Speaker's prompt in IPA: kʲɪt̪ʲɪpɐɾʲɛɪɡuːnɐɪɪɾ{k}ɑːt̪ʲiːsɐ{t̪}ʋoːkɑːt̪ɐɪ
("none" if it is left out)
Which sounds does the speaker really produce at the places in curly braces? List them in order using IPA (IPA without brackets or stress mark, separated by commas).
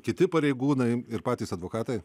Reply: p, d̪